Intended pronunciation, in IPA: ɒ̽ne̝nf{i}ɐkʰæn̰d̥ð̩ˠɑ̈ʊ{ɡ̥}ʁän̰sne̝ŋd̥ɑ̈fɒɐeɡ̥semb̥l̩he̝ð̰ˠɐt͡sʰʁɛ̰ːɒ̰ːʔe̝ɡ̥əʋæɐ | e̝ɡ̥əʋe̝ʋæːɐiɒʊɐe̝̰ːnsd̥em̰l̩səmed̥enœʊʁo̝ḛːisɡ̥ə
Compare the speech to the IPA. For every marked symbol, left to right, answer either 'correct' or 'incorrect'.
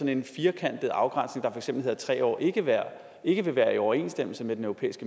incorrect, correct

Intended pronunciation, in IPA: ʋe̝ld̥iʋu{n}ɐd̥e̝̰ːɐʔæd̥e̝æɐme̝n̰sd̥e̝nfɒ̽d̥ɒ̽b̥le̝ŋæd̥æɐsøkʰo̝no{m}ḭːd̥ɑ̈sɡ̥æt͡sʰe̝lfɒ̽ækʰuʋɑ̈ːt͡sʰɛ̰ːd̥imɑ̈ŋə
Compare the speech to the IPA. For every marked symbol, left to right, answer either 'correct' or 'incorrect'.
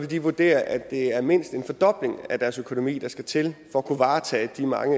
incorrect, correct

